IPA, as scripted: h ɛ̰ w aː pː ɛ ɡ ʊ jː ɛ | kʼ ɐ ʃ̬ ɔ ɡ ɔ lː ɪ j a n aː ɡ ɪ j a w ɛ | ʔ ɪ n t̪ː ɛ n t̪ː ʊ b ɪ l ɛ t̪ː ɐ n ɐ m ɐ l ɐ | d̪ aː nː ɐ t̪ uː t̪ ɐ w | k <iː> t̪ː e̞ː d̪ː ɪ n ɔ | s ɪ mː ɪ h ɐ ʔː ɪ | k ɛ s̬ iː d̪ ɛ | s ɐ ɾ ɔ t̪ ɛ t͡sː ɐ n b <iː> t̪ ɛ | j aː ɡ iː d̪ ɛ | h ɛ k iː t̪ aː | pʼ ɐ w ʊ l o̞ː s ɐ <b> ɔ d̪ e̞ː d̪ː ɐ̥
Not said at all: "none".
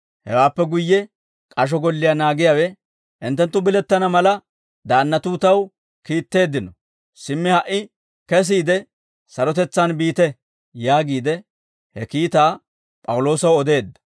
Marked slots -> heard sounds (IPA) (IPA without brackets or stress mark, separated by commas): iː, iː, w